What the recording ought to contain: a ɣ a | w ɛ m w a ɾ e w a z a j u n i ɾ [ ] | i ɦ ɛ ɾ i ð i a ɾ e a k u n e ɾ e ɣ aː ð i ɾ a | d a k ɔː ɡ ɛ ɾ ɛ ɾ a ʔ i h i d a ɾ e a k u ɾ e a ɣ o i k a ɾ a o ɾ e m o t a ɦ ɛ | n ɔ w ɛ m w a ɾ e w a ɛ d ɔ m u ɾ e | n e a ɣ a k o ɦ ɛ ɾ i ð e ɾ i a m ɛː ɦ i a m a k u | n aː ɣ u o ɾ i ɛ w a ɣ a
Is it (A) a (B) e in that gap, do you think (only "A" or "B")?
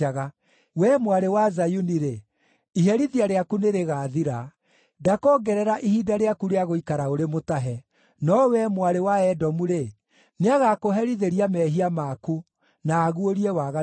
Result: B